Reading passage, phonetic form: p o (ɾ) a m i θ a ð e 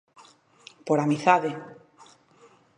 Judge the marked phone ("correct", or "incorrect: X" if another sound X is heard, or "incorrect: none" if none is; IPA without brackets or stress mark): correct